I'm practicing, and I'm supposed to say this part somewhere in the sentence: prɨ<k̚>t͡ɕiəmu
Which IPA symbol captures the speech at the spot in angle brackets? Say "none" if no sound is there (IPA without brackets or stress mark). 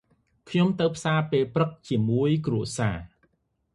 k̚